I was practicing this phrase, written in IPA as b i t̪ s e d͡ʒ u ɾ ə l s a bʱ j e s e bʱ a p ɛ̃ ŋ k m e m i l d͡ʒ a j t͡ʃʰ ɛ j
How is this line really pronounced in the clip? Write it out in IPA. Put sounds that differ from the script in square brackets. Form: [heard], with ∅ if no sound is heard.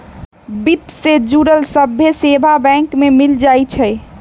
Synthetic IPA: b i t̪ s e d͡ʒ u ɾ ə l s [ə] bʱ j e s e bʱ a [b] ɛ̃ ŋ k m e m i l d͡ʒ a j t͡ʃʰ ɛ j